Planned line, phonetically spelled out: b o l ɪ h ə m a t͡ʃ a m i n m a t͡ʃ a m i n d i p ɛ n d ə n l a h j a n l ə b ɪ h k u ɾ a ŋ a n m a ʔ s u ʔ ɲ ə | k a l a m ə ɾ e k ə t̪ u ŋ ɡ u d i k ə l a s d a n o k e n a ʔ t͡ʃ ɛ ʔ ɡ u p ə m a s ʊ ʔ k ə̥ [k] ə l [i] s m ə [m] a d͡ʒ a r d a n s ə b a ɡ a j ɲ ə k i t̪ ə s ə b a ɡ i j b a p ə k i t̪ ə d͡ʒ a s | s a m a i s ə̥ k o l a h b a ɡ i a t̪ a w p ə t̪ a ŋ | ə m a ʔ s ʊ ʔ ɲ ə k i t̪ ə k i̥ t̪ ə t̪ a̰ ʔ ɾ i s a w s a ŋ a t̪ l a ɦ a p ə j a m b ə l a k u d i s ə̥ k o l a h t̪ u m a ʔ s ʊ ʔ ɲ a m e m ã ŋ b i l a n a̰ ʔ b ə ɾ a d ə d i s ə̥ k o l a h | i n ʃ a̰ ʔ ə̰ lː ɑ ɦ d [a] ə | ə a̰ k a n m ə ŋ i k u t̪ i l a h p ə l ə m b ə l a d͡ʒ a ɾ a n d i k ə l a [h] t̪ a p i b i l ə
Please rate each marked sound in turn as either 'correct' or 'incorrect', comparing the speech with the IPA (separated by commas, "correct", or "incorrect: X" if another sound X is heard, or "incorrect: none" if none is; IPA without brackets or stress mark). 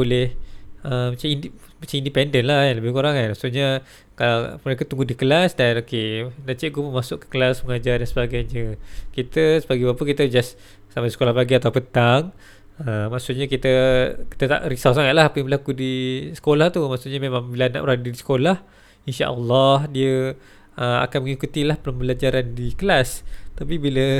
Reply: correct, incorrect: a, incorrect: ŋ, incorrect: i, incorrect: s